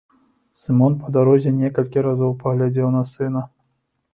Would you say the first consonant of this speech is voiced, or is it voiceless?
voiceless